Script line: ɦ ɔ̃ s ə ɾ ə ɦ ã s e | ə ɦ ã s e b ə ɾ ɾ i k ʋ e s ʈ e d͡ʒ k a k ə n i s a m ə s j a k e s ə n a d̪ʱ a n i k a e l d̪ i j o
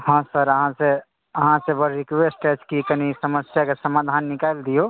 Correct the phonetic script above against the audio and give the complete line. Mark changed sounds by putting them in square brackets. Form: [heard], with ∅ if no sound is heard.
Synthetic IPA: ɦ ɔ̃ s ə ɾ ə ɦ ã s e | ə ɦ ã s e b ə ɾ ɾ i k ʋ e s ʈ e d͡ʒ k [i] k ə n i s [ə] m ə s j a k e s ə [m] a d̪ʱ a [nː] i k a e l d̪ i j o